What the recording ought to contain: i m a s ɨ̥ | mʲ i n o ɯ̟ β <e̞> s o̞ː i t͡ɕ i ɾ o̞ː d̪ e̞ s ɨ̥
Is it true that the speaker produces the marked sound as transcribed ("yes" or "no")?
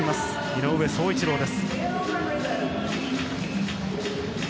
yes